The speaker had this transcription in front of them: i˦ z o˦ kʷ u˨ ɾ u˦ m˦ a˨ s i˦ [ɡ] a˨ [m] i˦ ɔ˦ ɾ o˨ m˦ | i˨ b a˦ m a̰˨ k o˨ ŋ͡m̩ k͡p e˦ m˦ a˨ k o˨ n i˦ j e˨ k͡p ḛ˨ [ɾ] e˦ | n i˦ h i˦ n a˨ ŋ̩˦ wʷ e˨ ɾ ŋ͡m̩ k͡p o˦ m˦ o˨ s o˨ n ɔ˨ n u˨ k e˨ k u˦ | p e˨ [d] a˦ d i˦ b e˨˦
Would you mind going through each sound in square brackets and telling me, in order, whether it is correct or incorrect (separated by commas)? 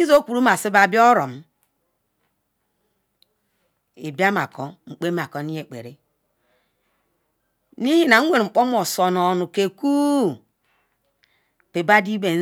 incorrect, incorrect, correct, incorrect